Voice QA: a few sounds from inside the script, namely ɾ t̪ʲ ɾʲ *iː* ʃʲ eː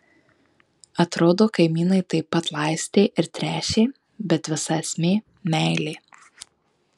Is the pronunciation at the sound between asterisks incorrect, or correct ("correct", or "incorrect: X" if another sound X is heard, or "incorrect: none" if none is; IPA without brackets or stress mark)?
incorrect: æː